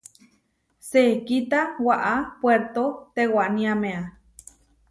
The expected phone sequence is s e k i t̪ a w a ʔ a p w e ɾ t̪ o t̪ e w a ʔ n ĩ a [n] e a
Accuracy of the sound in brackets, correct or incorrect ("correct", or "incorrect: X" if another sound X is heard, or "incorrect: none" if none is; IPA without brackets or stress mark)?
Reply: incorrect: m